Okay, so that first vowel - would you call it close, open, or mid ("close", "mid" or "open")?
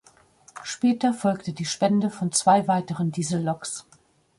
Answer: mid